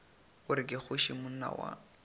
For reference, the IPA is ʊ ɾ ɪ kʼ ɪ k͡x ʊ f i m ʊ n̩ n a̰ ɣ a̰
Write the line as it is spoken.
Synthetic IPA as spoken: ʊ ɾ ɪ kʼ ɪ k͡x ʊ ʃ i m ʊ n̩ n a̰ w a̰